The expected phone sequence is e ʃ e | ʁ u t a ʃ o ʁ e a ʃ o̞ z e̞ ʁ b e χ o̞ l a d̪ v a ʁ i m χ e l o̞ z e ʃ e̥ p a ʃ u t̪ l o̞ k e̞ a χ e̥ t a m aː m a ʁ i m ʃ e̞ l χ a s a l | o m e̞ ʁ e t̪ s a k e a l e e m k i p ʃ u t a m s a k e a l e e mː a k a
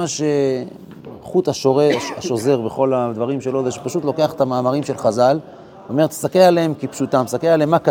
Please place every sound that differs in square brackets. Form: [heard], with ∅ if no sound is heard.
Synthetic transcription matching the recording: [a] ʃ e | [χ] u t a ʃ o ʁ e a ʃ o̞ z e̞ ʁ b e χ o̞ l a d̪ v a ʁ i m [ʃ] e l o̞ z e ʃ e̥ p a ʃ u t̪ l o̞ k e̞ a χ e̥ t a m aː m a ʁ i m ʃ e̞ l χ a [z] a l | o m e̞ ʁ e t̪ s a k e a l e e m k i p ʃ u t a m s a k e a l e e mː a k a